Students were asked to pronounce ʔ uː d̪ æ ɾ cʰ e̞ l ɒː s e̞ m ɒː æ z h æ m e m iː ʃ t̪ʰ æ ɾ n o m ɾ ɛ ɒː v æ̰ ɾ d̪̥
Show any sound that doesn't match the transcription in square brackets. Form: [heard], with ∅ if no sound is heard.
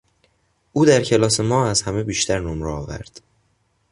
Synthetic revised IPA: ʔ uː d̪ æ ɾ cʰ e̞ l ɒː s e̞ m ɒː æ z h æ m e [b] iː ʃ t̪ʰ æ ɾ n o m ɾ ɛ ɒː v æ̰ ɾ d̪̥